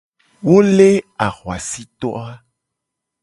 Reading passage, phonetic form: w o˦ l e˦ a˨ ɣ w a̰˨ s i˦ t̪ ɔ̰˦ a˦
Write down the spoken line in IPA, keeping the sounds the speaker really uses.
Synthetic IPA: w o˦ l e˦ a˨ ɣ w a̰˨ s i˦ t̪ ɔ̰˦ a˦